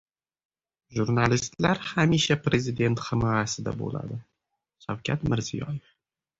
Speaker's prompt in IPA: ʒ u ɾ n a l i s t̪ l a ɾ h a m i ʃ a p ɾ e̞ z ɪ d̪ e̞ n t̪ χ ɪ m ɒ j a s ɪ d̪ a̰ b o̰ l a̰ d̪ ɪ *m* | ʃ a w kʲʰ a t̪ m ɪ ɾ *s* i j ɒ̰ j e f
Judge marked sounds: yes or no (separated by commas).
no, no